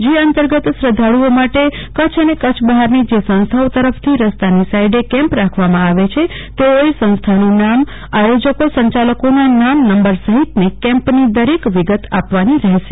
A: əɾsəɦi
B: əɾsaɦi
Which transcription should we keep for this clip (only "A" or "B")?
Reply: A